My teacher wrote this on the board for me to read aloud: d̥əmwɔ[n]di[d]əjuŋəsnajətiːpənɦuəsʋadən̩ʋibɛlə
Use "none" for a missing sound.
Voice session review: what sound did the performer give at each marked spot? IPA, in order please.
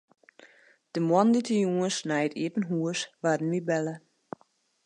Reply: n, t

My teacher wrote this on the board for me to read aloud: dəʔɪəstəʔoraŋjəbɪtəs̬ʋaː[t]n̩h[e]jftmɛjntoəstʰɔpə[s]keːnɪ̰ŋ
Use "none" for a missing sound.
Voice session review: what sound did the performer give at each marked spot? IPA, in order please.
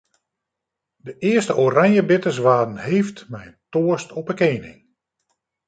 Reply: d, e, none

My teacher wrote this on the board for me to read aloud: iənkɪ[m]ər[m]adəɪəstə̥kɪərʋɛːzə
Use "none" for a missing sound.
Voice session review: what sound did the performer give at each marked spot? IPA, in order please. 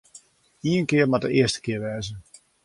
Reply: none, m

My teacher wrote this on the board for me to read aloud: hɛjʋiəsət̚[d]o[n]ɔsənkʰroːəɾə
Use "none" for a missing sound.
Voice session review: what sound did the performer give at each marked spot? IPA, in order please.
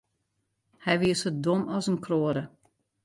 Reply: d, m

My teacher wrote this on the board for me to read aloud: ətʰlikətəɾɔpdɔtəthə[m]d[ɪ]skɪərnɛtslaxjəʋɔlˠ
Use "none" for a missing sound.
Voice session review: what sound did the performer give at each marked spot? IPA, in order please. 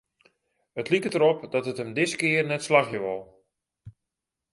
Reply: m, ɪ

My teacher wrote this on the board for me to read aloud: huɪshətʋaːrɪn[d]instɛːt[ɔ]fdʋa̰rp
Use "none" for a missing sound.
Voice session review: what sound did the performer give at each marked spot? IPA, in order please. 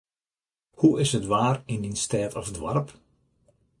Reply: d, ɔ

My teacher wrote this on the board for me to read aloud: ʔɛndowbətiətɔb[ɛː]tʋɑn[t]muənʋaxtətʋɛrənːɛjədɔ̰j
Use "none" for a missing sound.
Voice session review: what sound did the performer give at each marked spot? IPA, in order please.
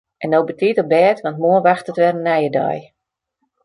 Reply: ɛː, t

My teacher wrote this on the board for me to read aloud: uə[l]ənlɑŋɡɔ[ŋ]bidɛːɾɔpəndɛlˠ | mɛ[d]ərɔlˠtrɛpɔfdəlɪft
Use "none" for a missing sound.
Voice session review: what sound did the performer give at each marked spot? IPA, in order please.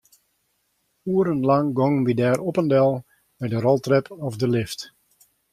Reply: ɾ, ŋ, d

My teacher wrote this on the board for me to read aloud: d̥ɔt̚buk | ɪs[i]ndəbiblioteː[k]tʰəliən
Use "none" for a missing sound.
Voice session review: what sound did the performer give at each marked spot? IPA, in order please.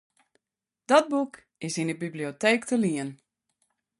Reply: i, k

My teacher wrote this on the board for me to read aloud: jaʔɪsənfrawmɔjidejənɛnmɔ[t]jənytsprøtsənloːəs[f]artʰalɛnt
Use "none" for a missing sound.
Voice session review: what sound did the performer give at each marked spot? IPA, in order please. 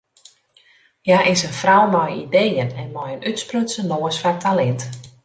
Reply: none, f

